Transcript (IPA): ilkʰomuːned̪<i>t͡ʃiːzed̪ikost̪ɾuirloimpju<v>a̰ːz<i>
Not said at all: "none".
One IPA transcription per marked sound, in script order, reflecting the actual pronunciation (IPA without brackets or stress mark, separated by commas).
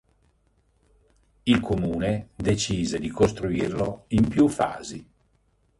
e, f, i